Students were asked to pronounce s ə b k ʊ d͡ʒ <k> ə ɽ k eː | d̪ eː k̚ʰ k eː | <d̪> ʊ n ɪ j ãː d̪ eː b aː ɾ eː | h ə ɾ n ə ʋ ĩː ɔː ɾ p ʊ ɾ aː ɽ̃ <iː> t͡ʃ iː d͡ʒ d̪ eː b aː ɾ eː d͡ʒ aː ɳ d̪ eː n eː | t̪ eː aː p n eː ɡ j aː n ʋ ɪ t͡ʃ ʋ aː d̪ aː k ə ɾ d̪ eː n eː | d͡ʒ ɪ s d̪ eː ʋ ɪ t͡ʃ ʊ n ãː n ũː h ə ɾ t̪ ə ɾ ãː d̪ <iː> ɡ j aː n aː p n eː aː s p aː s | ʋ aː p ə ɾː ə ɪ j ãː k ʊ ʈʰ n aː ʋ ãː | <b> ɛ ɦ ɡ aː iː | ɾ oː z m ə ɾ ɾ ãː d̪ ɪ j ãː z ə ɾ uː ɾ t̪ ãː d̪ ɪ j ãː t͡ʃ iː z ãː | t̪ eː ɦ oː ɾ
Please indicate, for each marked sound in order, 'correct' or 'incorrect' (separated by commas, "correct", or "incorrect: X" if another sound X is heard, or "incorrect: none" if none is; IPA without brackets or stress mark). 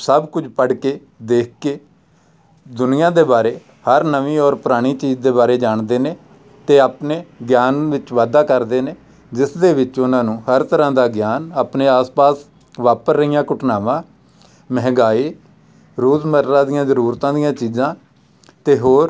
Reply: incorrect: p, correct, correct, incorrect: aː, incorrect: m